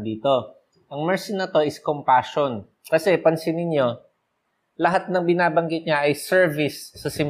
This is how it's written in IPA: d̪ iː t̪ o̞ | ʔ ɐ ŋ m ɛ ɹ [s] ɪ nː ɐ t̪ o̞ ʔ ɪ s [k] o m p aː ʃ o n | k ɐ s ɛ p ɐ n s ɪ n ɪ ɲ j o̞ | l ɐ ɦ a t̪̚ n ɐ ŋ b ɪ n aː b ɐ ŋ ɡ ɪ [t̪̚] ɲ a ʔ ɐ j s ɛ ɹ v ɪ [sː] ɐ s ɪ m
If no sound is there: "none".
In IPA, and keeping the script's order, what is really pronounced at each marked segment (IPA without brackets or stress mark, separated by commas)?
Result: s, k, t̪̚, sː